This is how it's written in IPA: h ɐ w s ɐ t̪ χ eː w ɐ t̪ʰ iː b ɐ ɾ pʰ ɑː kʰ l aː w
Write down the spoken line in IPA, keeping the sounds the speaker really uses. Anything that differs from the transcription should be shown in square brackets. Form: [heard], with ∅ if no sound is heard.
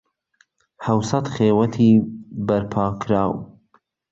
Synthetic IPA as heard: h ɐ w s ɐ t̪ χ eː w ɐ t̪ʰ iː b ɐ ɾ pʰ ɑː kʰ [ɾ] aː w